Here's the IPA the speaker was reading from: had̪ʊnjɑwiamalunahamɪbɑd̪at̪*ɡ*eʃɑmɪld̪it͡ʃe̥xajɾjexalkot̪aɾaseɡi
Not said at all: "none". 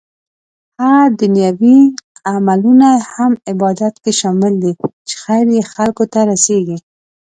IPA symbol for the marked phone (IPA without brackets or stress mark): k